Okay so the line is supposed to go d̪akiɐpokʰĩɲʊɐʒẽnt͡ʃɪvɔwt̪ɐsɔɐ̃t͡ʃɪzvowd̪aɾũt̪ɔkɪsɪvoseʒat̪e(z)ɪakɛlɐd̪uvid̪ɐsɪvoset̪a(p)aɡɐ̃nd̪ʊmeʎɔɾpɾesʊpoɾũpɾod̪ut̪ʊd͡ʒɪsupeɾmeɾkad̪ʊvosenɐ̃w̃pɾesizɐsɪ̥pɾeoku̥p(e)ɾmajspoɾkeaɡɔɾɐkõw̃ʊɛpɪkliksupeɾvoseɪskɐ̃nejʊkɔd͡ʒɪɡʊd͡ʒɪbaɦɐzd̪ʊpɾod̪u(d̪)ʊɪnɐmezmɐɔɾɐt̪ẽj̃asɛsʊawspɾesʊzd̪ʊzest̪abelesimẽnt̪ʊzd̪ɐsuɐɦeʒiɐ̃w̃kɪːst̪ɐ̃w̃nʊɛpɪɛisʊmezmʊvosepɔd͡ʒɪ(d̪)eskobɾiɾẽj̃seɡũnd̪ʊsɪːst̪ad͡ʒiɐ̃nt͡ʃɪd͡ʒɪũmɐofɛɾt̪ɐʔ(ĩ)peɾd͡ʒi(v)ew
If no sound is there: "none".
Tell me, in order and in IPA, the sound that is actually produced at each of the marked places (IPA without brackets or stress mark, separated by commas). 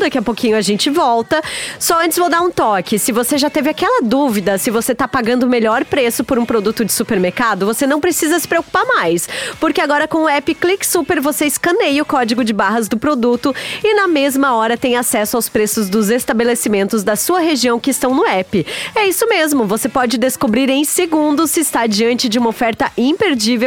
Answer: v, p, a, t̪, d̪, ĩ, v